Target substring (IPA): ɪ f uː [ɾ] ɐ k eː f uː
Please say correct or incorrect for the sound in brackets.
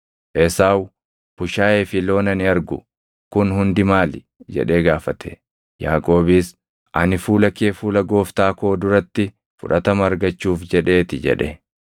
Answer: incorrect: l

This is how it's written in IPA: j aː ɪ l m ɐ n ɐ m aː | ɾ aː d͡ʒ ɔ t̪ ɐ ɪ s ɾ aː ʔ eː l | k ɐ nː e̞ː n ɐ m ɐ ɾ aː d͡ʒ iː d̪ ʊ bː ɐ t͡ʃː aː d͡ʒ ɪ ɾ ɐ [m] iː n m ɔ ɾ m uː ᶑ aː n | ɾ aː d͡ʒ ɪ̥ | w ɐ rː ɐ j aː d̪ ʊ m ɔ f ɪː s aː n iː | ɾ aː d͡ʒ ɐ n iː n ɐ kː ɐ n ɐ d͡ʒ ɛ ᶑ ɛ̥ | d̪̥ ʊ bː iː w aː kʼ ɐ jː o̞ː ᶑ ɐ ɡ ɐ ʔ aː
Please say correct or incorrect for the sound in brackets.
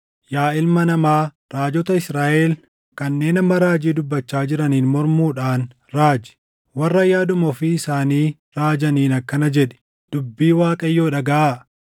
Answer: incorrect: n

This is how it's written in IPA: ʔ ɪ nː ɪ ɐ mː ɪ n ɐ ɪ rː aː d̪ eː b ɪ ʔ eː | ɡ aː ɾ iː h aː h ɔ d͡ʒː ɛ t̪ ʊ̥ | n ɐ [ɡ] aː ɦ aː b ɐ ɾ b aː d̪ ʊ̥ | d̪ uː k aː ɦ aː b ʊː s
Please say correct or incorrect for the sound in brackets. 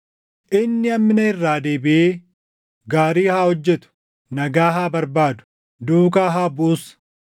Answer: correct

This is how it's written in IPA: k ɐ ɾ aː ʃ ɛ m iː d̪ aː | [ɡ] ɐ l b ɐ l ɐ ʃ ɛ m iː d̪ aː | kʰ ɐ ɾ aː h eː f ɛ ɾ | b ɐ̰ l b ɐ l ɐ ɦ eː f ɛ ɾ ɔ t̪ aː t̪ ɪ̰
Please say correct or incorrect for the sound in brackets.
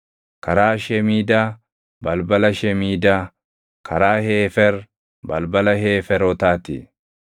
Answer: incorrect: b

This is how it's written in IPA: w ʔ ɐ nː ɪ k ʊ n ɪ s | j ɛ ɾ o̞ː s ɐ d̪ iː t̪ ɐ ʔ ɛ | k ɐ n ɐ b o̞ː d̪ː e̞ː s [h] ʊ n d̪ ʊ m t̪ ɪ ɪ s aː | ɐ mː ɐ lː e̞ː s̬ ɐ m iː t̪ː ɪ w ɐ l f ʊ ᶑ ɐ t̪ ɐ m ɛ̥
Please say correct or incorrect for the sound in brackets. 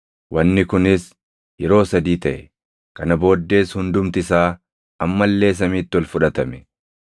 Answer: correct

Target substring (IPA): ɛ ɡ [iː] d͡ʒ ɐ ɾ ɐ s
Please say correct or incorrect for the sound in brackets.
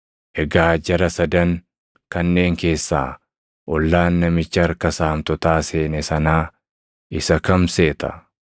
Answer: incorrect: aː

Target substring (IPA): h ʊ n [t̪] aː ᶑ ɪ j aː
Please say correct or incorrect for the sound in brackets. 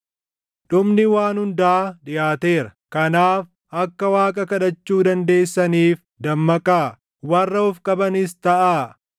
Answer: incorrect: d̪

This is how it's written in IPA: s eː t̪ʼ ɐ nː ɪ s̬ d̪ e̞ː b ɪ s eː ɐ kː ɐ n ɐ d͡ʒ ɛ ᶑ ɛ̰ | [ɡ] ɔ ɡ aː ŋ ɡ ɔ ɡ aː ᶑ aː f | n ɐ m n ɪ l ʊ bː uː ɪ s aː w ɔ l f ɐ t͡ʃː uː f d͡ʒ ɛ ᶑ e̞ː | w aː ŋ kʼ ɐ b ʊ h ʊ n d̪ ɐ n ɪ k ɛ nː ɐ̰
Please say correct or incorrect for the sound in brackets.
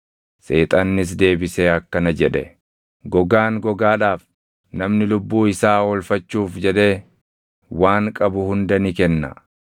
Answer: correct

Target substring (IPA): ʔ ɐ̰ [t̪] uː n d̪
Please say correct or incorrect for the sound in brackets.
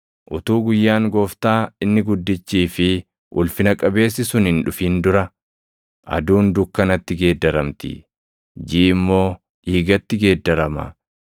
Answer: incorrect: d̪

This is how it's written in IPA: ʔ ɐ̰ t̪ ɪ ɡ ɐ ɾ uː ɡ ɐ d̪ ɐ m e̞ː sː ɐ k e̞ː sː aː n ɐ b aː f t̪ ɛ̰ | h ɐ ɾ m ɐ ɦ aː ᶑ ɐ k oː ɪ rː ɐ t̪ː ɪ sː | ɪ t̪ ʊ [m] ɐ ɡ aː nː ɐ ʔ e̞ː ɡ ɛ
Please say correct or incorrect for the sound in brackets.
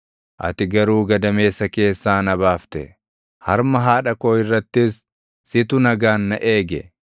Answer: incorrect: n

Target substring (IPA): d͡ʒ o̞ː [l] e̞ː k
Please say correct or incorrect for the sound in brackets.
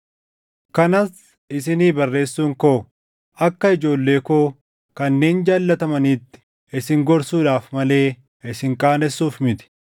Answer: incorrect: lː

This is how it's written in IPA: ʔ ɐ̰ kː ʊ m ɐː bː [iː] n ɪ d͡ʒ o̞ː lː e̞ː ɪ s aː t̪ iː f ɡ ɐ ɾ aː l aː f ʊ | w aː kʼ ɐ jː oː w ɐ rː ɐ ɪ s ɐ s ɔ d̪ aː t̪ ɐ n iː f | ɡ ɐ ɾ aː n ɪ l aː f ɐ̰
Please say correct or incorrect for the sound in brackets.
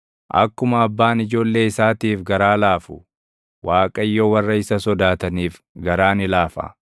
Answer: incorrect: aː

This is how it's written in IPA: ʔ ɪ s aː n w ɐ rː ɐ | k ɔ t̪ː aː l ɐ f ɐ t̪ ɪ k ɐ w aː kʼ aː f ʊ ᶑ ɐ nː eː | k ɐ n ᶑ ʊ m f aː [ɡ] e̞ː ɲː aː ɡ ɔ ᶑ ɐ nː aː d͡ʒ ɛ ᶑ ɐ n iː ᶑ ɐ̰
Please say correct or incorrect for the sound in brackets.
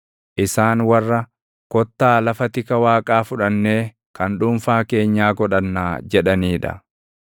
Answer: incorrect: k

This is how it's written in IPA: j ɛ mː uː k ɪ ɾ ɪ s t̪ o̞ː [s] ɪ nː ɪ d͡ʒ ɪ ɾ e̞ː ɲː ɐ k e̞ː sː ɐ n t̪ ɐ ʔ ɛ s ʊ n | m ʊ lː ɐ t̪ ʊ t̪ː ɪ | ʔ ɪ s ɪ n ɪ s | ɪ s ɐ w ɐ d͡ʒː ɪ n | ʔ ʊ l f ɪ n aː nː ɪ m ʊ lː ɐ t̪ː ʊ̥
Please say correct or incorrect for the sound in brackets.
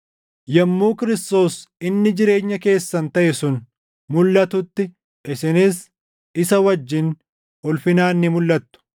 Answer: correct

